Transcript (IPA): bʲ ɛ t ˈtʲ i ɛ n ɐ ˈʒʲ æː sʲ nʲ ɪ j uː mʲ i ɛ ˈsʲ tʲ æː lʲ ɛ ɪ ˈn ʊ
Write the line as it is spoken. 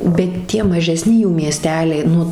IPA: bʲ ɛ t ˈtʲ i ɛ m ɐ ˈʒʲ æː sʲ nʲ ɪ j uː mʲ i ɛ ˈsʲ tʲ æː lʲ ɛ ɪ ˈn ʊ